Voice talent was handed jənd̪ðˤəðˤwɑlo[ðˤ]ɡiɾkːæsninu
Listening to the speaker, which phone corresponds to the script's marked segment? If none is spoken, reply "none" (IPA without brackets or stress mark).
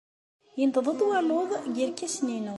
ðˤ